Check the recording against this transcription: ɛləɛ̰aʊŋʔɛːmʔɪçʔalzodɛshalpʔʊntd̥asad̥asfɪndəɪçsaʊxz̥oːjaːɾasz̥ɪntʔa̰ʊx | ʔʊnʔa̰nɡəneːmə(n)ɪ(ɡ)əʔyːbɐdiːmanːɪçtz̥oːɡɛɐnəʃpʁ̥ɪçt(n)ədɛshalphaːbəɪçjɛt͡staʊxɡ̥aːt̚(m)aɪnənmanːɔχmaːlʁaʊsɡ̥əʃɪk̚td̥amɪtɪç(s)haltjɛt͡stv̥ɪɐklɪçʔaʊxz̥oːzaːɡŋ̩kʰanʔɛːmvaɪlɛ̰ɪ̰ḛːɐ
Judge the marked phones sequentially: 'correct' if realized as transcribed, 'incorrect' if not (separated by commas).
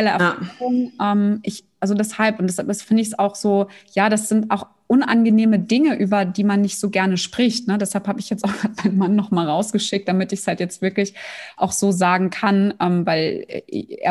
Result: incorrect, incorrect, correct, correct, correct